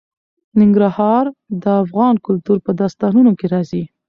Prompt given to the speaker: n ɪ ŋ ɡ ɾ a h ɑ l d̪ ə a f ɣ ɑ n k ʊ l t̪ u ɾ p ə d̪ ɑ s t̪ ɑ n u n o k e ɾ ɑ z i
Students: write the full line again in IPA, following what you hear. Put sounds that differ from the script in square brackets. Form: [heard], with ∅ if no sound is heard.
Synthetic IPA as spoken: n ɪ ŋ ɡ ɾ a h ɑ [ɾ] d̪ ə a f ɣ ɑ n k ʊ l t̪ u ɾ p ə d̪ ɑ s t̪ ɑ n u n o k e ɾ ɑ z i